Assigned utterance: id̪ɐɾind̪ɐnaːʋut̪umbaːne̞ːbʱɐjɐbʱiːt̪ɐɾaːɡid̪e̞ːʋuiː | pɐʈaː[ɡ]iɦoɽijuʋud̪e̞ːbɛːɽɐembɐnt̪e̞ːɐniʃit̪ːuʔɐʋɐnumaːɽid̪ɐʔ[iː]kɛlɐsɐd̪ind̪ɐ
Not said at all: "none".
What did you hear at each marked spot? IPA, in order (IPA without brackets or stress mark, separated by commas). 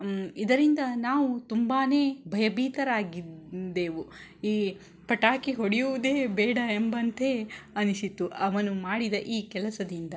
k, iː